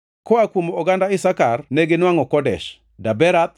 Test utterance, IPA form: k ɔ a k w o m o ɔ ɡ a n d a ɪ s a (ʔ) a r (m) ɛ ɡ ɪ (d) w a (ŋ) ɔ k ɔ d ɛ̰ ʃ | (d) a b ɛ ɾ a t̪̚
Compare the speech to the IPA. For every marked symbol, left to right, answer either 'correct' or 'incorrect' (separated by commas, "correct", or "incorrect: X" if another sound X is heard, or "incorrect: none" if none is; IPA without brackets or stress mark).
incorrect: k, incorrect: n, incorrect: n, correct, correct